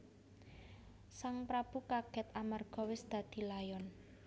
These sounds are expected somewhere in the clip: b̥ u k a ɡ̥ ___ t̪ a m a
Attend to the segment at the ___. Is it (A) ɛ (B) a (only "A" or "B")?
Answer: A